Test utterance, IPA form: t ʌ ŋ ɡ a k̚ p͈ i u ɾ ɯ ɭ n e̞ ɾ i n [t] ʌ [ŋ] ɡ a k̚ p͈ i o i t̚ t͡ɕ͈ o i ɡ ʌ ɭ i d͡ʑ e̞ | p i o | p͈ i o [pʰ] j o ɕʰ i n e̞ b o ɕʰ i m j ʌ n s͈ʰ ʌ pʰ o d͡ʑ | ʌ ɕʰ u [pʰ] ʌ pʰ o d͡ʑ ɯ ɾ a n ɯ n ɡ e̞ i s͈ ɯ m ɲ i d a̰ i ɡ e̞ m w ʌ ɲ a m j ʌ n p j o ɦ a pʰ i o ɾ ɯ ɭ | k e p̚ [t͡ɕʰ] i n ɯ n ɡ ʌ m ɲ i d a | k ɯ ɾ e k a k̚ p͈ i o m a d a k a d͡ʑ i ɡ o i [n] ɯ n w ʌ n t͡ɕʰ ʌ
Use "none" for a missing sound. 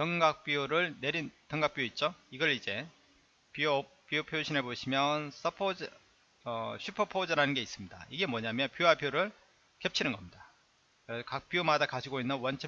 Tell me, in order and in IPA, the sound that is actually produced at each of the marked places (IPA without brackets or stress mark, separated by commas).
t, ŋ, pʰ, pʰ, t͡ɕʰ, nː